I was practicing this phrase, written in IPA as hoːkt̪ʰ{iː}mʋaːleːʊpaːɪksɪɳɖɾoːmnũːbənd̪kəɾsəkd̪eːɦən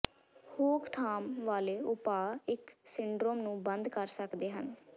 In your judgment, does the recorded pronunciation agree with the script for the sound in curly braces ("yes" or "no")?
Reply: no